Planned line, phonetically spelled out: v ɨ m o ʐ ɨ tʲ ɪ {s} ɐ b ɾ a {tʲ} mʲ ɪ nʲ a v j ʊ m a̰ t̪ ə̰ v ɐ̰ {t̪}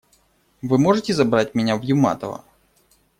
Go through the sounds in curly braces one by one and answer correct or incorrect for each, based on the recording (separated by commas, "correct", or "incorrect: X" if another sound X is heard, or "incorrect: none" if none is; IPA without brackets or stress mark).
incorrect: z, correct, incorrect: none